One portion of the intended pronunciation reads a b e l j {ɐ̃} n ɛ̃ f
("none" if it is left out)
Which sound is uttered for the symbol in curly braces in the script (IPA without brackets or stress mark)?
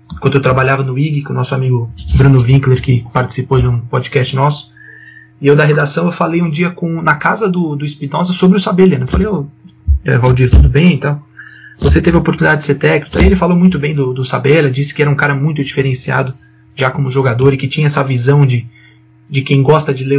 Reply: ɐ